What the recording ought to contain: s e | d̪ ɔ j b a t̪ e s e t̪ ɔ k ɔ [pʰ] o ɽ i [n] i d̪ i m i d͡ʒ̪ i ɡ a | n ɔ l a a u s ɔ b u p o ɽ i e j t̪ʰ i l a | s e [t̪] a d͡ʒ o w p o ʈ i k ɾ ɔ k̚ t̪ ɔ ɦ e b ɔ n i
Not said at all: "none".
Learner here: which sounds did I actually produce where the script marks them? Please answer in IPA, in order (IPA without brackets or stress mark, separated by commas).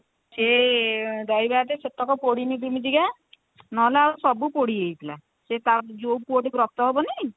p, n, t̪